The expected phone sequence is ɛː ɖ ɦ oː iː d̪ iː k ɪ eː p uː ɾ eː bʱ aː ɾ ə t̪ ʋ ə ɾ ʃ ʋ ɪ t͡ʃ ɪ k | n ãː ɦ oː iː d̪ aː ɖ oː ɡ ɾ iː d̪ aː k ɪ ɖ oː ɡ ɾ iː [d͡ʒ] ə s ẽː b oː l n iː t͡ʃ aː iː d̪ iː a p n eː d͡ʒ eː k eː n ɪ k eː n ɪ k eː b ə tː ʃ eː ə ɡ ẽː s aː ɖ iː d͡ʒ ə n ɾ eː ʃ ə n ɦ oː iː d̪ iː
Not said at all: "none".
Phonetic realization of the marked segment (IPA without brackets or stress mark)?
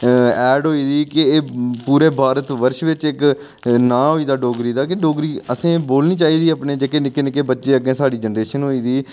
none